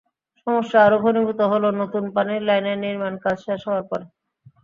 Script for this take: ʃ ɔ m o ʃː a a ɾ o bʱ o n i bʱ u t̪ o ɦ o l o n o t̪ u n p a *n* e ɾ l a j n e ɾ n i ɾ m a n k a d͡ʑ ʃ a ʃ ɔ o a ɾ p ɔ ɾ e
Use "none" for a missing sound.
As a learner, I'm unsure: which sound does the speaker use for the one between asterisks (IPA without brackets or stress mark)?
n